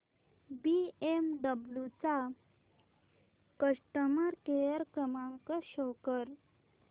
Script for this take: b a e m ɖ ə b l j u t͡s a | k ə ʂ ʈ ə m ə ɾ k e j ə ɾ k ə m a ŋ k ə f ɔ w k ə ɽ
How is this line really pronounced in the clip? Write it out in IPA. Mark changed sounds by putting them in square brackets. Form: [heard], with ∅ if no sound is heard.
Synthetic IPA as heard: b [i] e m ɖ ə b l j u t͡s a | k ə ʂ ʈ ə m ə ɾ k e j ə ɾ k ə m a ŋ k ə [ɕ] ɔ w k ə [ɾ]